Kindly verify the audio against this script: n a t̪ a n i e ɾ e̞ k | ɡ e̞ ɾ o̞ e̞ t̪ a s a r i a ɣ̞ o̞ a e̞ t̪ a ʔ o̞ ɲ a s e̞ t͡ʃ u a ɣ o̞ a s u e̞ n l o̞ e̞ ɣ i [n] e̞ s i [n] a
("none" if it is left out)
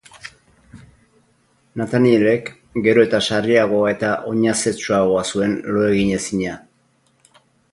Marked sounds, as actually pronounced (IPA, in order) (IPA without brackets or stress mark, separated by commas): ɲ, ɲ